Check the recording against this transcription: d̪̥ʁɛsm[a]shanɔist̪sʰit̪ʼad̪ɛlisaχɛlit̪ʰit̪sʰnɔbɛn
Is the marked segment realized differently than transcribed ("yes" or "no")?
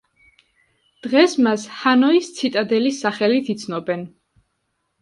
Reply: no